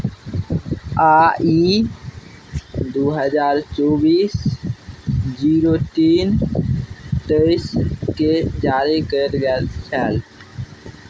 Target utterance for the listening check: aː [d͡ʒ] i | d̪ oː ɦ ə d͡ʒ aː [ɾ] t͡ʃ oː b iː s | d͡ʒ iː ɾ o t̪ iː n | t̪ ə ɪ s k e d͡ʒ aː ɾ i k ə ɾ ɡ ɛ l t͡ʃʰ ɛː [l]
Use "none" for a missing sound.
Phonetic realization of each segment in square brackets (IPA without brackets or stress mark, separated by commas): none, ɾ, l